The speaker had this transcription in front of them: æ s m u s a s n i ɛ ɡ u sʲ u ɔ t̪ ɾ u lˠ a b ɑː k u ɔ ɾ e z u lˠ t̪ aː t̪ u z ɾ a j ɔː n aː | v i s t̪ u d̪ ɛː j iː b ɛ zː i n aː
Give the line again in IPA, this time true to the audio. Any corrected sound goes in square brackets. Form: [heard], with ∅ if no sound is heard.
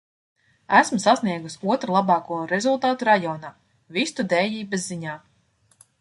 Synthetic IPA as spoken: æ s m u s a s n i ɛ ɡ u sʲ u ɔ t̪ ɾ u lˠ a b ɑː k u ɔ ɾ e z u lˠ t̪ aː t̪ u [∅] ɾ a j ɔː n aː | v i s t̪ u d̪ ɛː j iː b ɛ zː i [ɲ] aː